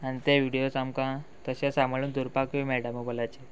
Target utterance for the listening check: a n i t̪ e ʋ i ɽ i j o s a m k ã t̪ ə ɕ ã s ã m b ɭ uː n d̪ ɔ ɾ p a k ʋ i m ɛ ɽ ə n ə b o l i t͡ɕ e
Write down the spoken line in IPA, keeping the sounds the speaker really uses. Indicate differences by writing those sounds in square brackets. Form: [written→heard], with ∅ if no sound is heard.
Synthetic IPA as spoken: a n i t̪ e ʋ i ɽ i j o s a m k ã t̪ ə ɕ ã s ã m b ɭ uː n d̪ [ɔ→u] ɾ p a k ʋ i m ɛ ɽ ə [n→m] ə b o l [i→a] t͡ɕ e

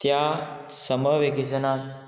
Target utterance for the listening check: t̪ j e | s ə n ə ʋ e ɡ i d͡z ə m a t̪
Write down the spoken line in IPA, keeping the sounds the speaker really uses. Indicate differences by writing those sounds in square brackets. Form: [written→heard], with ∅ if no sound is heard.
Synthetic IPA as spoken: t̪ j [e→a] | s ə [n→m] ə ʋ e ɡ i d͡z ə [m→n] a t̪

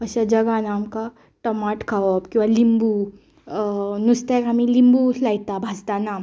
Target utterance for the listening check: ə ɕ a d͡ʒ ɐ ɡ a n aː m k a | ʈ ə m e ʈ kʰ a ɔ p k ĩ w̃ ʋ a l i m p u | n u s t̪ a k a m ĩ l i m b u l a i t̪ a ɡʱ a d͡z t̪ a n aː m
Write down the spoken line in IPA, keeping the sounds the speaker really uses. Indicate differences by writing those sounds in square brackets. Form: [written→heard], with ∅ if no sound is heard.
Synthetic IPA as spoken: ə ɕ a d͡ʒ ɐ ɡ a n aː m k a | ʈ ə m [e→a] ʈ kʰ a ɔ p k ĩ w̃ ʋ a l i m [p→b] u | n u s t̪ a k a m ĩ l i m b u l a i t̪ a [ɡʱ→bʱ] a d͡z t̪ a n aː m

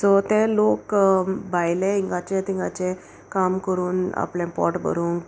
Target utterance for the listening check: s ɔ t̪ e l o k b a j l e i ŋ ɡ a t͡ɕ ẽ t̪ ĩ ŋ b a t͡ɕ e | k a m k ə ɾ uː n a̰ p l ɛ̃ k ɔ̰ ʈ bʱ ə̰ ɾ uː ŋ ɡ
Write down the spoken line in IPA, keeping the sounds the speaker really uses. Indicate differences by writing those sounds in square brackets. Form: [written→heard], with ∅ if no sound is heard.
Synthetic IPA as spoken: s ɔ t̪ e l o k b a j l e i ŋ ɡ a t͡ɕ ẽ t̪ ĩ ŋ [b→ɡ] a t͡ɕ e | k a m k ə ɾ uː n a̰ p l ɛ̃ [k→p] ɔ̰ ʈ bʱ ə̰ ɾ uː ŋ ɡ

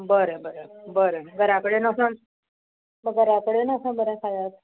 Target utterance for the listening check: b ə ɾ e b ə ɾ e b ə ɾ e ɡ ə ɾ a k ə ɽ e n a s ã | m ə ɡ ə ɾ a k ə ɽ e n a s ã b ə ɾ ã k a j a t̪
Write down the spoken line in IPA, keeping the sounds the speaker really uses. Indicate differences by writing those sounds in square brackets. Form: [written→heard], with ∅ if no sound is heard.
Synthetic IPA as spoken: b ə ɾ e b ə ɾ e b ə ɾ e ɡ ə ɾ a k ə ɽ e n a s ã | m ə ɡ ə ɾ a k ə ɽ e n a s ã b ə ɾ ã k a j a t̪

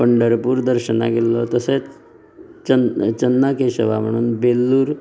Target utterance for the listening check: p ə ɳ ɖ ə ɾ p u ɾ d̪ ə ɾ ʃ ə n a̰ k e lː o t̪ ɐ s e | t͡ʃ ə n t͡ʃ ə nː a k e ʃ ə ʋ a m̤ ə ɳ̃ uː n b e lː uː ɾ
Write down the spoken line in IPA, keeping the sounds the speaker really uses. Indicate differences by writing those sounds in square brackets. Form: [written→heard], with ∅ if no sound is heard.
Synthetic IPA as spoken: p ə ɳ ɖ ə ɾ p u ɾ d̪ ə ɾ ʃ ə n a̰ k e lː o t̪ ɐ s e | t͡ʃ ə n t͡ʃ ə nː a k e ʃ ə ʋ a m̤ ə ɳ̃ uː n b e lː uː ɾ

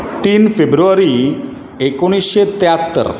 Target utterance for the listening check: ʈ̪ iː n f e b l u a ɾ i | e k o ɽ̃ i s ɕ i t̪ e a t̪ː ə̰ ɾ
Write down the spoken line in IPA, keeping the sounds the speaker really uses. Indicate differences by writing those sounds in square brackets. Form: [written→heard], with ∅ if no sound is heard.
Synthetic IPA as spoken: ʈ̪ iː n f e b [l→ɾ] u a ɾ i | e k o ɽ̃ i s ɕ [i→e] t̪ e a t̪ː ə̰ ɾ

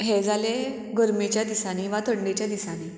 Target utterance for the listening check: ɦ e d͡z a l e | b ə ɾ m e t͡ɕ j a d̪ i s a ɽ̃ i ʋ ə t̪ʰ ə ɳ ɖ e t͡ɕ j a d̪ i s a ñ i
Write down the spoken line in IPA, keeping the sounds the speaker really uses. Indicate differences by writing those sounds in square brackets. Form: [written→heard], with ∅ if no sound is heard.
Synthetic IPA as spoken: ɦ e d͡z a l e | [b→ɡ] ə ɾ m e t͡ɕ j a d̪ i s a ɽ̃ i ʋ [ə→a] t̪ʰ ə ɳ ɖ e t͡ɕ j a d̪ i s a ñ i

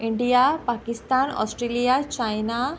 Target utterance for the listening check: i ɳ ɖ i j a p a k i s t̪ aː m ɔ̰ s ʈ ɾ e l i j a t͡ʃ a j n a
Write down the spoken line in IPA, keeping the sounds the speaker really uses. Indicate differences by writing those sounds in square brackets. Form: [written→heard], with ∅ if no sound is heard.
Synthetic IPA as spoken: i ɳ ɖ i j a p a k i s t̪ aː [m→n] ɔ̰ s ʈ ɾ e l i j a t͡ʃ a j n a

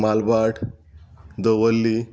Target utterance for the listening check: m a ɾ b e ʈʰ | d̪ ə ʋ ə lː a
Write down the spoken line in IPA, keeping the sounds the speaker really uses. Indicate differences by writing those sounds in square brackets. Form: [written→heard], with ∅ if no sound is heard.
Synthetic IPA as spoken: m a [ɾ→l] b [e→a] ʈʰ | d̪ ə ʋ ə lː [a→i]

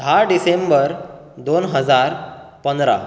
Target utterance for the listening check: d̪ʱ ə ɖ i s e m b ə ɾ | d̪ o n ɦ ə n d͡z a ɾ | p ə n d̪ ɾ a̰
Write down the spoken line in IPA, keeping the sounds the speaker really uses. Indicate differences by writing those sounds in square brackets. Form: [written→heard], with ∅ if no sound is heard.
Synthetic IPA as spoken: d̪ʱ [ə→a] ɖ i s e m b ə ɾ | d̪ o n ɦ ə [n→∅] d͡z a ɾ | p ə n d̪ ɾ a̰

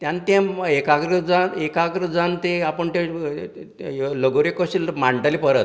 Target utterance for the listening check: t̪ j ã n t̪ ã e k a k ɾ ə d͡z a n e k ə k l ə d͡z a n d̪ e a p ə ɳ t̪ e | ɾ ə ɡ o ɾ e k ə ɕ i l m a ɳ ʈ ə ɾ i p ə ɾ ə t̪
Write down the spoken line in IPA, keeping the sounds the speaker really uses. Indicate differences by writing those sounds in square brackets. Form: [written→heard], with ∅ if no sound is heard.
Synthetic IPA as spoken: t̪ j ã n t̪ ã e k a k ɾ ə d͡z a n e k [ə→a] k [l→ɾ] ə d͡z a n [d̪→t̪] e a p ə ɳ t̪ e | [ɾ→l] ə ɡ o ɾ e k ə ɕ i l m a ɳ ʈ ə [ɾ→l] i p ə ɾ ə t̪

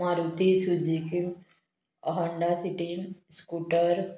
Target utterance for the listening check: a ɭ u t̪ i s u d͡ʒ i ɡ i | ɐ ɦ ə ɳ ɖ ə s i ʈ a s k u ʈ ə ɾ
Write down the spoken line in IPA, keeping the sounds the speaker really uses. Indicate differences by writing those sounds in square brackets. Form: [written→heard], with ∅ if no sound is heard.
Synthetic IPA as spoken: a [ɭ→ɾ] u t̪ i s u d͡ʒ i [ɡ→k] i | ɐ ɦ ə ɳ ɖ [ə→a] s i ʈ [a→i] s k u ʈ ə ɾ

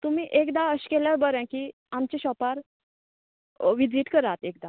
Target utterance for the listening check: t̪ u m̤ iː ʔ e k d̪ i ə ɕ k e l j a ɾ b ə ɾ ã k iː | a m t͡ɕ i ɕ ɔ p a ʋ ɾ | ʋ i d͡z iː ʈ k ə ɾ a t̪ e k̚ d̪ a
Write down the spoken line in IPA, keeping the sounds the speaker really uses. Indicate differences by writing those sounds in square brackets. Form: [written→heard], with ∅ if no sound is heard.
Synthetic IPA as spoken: t̪ u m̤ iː ʔ e k d̪ [i→a] ə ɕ k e l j a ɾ b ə ɾ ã k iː | a m t͡ɕ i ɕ ɔ p a [ʋ→∅] ɾ | ʋ i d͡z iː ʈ k ə ɾ a t̪ e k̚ d̪ a

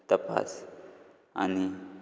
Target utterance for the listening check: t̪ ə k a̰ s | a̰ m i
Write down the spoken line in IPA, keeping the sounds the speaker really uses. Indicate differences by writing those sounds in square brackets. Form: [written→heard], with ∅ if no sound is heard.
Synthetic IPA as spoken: t̪ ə [k→p] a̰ s | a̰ [m→n] i

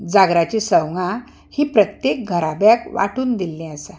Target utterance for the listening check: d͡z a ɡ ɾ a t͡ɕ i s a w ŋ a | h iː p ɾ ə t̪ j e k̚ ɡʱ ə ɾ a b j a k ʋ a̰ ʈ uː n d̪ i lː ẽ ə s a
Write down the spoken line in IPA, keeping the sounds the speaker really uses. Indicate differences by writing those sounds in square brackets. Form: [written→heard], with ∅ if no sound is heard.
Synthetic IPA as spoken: d͡z a ɡ ɾ a t͡ɕ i s [a→ə] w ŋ a | h iː p ɾ ə t̪ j e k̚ ɡʱ ə ɾ a b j a k ʋ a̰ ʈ uː n d̪ i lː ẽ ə s a

